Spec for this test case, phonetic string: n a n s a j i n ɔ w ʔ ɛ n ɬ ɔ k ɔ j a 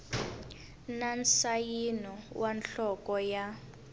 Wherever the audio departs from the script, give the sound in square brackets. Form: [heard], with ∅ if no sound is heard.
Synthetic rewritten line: n a n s a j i n ɔ w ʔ [a] n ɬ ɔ k ɔ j a